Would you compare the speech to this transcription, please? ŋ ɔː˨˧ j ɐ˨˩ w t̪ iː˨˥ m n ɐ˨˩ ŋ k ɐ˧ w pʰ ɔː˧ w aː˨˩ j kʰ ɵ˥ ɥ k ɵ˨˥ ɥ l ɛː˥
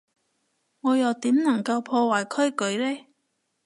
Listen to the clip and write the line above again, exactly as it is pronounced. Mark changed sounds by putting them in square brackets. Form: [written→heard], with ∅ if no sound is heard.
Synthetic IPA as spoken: ŋ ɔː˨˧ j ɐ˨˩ w t̪ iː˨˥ m n ɐ˨˩ ŋ k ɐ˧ w pʰ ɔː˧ w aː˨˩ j kʰ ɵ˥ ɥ k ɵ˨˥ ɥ l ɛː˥